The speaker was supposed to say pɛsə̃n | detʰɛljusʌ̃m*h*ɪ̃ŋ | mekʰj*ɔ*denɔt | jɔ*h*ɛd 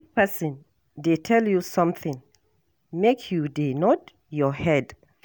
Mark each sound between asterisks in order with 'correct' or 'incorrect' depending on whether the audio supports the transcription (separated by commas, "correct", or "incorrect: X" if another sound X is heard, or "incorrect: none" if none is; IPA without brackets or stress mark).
incorrect: θ, incorrect: u, correct